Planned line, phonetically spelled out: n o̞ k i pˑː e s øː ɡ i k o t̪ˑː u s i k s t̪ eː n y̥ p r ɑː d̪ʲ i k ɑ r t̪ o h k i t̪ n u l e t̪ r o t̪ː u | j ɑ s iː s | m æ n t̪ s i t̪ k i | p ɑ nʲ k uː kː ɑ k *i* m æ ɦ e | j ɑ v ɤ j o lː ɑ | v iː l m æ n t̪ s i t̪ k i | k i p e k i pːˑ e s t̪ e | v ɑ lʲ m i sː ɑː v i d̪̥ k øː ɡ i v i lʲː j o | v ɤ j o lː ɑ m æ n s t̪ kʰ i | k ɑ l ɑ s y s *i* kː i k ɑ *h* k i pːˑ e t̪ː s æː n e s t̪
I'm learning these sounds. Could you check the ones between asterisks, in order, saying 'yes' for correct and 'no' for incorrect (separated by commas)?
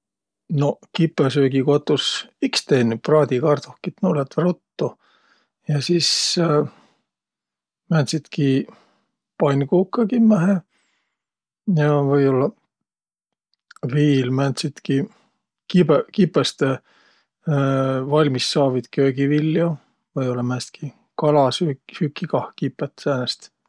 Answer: yes, no, yes